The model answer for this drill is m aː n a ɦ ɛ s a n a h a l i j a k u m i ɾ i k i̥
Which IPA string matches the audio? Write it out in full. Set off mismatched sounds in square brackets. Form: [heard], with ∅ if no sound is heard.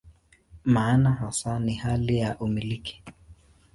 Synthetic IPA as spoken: m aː n a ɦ [a] s a n [i] h a l i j a [ʔ] u m i [l] i k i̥

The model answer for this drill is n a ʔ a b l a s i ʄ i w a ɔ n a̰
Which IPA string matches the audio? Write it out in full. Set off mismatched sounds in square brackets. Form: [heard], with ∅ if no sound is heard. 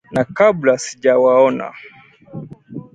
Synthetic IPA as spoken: n a [k] a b l a s i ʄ [a] w a ɔ n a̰

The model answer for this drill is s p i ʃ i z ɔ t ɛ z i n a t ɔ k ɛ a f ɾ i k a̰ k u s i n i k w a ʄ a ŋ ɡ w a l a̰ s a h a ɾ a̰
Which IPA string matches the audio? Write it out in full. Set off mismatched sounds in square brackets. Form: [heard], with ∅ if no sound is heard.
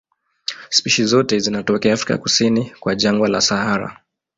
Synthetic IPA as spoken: s p i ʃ i z ɔ t ɛ z i n a t ɔ k ɛ a f ɾ i k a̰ k u s i n i k w a ʄ a ŋ ɡ w a l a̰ s a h a ɾ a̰

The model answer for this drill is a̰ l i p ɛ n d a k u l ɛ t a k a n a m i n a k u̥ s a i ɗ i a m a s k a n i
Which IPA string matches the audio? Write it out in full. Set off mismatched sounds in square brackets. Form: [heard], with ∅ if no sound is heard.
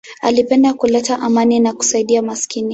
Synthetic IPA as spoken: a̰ l i p ɛ n d a k u l ɛ t a [ʔ] a [m] a [n] i n a k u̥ s a i ɗ i a m a s k [i] n i

